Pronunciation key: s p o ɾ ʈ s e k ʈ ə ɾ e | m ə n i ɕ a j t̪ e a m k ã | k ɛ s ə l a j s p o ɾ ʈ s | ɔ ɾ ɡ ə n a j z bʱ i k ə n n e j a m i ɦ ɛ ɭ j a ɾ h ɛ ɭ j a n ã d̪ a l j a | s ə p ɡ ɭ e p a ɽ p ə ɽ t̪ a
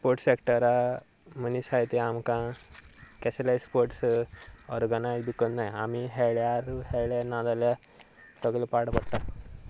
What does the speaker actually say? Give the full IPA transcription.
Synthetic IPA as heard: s p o ɾ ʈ s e k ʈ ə ɾ a | m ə n i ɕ a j t̪ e a m k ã | k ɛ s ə l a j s p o ɾ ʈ s | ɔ ɾ ɡ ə n a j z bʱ i k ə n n a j a m i ɦ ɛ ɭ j a ɾ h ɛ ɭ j a n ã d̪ a l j a | s ə ɡ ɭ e p a ɽ p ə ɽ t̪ a